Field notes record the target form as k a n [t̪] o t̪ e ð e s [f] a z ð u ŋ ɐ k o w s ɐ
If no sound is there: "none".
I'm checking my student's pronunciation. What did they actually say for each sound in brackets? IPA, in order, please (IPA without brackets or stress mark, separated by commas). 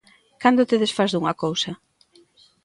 d̪, f